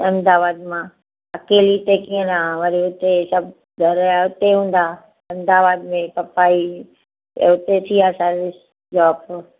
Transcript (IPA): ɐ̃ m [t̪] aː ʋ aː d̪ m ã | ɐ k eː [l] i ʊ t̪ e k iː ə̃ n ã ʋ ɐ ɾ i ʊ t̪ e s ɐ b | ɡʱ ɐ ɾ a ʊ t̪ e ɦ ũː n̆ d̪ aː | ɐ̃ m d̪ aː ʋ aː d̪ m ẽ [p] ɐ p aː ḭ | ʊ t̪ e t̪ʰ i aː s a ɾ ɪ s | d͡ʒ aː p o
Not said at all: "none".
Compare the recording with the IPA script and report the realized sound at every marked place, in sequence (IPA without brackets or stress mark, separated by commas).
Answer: d̪, l, p